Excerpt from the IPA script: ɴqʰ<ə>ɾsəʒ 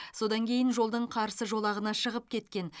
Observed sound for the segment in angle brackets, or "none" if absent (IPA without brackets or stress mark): ɑ